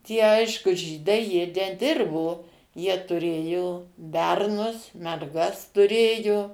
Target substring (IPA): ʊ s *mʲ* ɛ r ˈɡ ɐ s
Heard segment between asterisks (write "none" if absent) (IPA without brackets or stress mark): mʲ